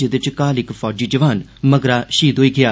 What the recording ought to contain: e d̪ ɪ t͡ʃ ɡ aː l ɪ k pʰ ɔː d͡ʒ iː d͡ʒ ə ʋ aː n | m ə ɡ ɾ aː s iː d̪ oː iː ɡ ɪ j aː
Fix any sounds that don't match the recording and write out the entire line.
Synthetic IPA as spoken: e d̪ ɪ t͡ʃ k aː l ɪ k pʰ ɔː d͡ʒ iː d͡ʒ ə ʋ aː n | m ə ɡ ɾ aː ʃ iː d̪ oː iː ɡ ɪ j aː